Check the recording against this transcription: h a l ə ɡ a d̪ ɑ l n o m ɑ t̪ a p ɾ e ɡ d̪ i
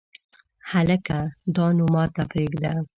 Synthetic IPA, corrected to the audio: h a l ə k a d̪ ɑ n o m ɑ t̪ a p ɾ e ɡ d̪ a

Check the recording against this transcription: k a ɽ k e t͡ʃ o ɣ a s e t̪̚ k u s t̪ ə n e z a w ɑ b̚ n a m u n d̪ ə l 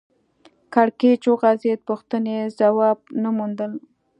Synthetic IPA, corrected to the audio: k a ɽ k e t͡ʃ o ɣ a z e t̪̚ p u x t̪ ə n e z a w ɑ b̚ n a m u n d̪ ə l

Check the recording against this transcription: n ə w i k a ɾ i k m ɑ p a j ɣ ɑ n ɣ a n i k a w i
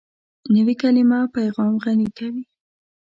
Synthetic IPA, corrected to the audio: n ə w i k a l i m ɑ p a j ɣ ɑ m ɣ a n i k a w i

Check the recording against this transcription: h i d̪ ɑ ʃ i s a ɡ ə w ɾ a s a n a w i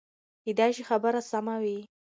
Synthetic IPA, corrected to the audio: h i d̪ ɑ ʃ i x a b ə ɾ a s a m a w i

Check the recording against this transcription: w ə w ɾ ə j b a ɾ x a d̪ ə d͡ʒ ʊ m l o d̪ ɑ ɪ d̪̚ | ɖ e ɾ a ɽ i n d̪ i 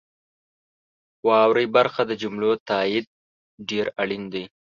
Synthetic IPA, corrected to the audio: w ɑ w ɾ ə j b a ɾ x a d̪ ə d͡ʒ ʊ m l o t̪ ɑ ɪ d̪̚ | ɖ e ɾ a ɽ i n d̪ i

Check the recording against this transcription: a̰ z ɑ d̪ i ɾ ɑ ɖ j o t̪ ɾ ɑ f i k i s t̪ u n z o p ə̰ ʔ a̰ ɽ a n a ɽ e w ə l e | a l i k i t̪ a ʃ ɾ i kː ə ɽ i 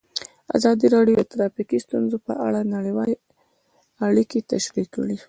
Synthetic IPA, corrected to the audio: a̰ z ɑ d̪ i ɾ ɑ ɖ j o t̪ ɾ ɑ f i k i s t̪ u n z o p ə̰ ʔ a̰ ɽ a n a ɽ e w ɑ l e | a ɽ i k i t̪ a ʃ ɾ i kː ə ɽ i

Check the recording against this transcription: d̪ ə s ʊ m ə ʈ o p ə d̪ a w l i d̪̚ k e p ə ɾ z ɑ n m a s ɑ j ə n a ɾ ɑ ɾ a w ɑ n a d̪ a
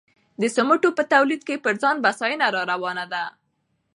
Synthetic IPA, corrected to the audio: d̪ ə s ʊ m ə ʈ o p ə t̪ a w l i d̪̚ k e p ə ɾ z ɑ n b a s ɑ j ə n a ɾ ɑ ɾ a w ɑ n a d̪ a

